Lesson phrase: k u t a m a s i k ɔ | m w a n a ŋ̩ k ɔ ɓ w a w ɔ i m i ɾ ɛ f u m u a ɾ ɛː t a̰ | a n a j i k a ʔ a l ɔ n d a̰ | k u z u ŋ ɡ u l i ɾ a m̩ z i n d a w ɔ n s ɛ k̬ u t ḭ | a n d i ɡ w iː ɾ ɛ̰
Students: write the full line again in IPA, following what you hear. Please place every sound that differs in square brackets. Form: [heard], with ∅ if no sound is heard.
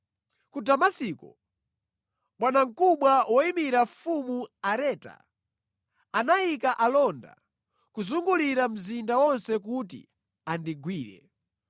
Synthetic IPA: k u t a m a s i k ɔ | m w a n a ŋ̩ k [u] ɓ w a w ɔ i m i ɾ [a] f u m u a ɾ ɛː t a̰ | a n a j i k a ʔ a l ɔ n d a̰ | k u z u ŋ ɡ u l i ɾ a m̩ z i n d a w ɔ n s ɛ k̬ u t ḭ | a n d i ɡ w iː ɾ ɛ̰

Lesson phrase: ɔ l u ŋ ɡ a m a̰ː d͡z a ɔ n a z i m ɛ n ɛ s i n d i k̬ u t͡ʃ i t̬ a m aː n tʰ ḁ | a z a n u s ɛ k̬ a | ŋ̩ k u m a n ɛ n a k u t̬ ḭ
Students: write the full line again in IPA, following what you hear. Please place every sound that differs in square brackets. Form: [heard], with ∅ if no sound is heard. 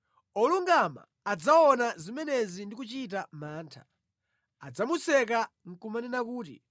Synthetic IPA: ɔ l u ŋ ɡ a m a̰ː d͡z a ɔ n a z i m ɛ n ɛ [z] i n d i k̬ u t͡ʃ i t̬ a m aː n tʰ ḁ | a [d͡z] a [m] u s ɛ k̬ a | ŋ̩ k u m a n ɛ n a k [uː] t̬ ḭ

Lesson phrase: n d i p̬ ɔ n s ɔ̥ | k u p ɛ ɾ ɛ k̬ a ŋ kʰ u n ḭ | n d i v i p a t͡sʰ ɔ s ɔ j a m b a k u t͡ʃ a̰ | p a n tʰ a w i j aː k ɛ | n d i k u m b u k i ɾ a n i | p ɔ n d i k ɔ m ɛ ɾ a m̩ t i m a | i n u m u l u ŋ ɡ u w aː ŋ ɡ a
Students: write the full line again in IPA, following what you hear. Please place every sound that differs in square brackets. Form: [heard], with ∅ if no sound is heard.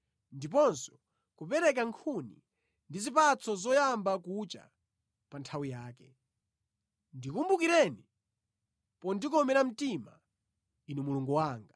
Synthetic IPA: n d i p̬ ɔ n s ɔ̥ | k u p ɛ ɾ ɛ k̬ a ŋ kʰ u n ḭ | n d i [z] i p a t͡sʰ ɔ [z] ɔ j a m b a k u t͡ʃ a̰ | p a n tʰ a w i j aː k ɛ | n d i k u m b u k i ɾ [ɛ] n i | p ɔ n d i k ɔ m ɛ ɾ a m̩ t i m a | i n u m u l u ŋ ɡ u w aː ŋ ɡ a

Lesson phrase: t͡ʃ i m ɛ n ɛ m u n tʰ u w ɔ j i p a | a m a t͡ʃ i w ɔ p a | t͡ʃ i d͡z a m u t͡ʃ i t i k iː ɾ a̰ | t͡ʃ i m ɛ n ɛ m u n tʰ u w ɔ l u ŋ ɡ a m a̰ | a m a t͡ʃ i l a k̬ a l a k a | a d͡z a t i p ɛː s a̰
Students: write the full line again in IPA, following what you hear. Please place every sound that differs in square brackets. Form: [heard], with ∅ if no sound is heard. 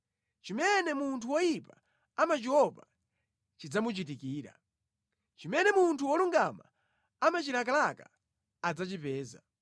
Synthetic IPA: t͡ʃ i m ɛ n ɛ m u n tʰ u w ɔ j i p a | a m a t͡ʃ i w ɔ p a | t͡ʃ i d͡z a m u t͡ʃ i t i k iː ɾ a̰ | t͡ʃ i m ɛ n ɛ m u n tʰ u w ɔ l u ŋ ɡ a m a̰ | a m a t͡ʃ i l a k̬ a l a k a | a d͡z a [t͡ʃ] i p ɛː [z] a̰

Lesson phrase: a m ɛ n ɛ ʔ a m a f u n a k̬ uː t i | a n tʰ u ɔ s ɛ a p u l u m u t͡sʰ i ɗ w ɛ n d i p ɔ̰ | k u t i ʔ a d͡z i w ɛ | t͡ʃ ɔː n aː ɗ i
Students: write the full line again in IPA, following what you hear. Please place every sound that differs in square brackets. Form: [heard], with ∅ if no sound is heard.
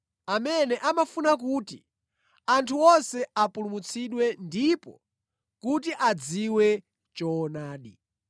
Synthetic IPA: a m ɛ n ɛ ʔ a m a f u n a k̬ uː t i | a n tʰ u ɔ s ɛ a p u l u m u t͡sʰ i ɗ w ɛ n d i p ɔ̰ | k u t i ʔ a d͡z i w ɛ | t͡ʃ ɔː n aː ɗ i

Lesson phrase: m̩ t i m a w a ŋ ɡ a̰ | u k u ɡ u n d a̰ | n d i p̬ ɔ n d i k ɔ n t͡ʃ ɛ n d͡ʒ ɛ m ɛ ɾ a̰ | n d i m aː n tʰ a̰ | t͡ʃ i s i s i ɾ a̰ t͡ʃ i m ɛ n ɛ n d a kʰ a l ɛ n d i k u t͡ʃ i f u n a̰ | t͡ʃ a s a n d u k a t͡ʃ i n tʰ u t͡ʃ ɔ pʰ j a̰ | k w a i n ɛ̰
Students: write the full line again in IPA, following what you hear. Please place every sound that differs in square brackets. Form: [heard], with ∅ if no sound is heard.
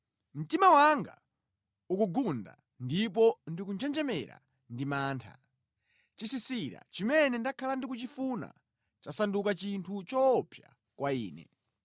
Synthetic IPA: m̩ t i m a w a ŋ ɡ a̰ | u k u ɡ u n d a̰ | n d i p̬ ɔ n d i k [u] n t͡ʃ ɛ n d͡ʒ ɛ m ɛ ɾ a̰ | n d i m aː n tʰ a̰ | t͡ʃ i s i s i ɾ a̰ t͡ʃ i m ɛ n ɛ n d a kʰ a l [a] n d i k u t͡ʃ i f u n a̰ | t͡ʃ a s a n d u k a t͡ʃ i n tʰ u t͡ʃ ɔ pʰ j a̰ | k w a [iː] n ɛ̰

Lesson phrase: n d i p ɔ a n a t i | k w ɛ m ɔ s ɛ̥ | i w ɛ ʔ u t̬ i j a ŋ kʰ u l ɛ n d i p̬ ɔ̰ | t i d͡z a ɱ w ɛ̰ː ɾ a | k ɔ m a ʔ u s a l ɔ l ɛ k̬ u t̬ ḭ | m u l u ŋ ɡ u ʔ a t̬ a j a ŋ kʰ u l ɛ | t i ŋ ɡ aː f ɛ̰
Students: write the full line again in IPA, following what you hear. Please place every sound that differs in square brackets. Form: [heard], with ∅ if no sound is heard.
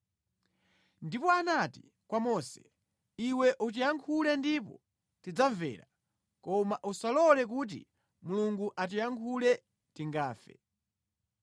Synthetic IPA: n d i p ɔ a n a t i | k w [a] m ɔ s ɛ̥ | i w ɛ ʔ u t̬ i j a ŋ kʰ u l ɛ n d i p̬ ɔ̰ | t i d͡z a ɱ [v] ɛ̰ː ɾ a | k ɔ m a ʔ u s a l ɔ l ɛ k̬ u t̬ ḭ | m u l u ŋ ɡ u ʔ a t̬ [i] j a ŋ kʰ u l ɛ | t i ŋ ɡ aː f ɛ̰

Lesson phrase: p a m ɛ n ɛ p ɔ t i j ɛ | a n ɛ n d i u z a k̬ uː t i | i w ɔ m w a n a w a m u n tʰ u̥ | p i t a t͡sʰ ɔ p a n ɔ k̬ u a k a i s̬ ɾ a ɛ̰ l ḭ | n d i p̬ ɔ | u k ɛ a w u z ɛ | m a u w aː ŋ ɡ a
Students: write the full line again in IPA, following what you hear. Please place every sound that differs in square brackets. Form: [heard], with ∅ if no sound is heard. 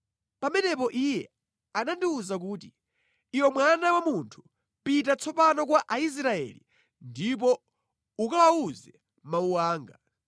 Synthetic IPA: p a m ɛ n ɛ p ɔ [ʔ] i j ɛ | a n [a] n d i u z a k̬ uː t i | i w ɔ m w a n a w a m u n tʰ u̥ | p i t a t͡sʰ ɔ p a n ɔ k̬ [w] a [ʔ] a i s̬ ɾ a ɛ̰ l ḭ | n d i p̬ ɔ | u k [a] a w u z ɛ | m a u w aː ŋ ɡ a

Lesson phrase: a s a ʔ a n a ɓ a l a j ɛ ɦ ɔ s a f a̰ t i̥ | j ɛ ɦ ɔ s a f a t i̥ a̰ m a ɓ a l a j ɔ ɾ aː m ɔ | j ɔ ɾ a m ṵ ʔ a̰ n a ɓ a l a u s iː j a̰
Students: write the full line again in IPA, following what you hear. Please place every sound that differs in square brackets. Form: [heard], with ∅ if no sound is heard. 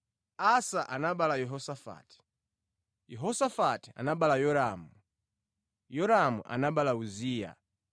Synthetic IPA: a s a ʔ a n a ɓ a l a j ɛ ɦ ɔ s a f a̰ t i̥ | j ɛ ɦ ɔ s a f a t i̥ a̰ [n] a ɓ a l a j ɔ ɾ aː m [u] | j ɔ ɾ a m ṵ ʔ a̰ n a ɓ a l a u [z] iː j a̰

